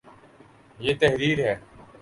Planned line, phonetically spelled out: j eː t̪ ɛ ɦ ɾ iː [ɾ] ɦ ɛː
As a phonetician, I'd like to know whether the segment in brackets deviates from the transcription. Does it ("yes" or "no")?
no